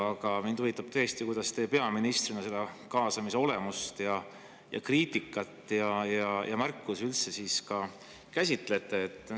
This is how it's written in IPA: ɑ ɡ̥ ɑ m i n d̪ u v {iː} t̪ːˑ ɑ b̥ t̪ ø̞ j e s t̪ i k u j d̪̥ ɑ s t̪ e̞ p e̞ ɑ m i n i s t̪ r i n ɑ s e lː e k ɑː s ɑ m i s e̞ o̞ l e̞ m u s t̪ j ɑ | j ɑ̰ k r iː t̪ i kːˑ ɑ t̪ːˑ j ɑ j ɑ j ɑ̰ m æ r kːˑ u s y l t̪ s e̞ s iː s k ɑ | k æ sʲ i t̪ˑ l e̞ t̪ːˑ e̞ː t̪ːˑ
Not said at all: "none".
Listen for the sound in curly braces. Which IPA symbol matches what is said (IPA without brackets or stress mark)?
i